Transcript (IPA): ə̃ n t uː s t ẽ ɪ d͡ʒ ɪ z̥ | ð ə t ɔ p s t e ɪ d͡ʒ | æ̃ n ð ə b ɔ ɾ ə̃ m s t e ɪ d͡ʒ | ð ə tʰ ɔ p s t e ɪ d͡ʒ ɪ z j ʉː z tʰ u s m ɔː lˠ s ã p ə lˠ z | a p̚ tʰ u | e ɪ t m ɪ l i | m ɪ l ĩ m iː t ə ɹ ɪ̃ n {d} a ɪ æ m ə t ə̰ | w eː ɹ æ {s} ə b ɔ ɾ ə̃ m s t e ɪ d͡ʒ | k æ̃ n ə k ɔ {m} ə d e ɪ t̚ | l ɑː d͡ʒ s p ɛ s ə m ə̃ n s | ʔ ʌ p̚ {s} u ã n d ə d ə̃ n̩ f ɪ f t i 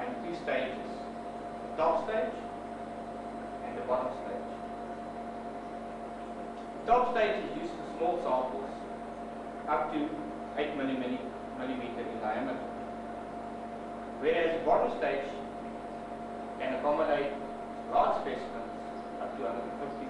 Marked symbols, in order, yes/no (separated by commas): yes, no, yes, no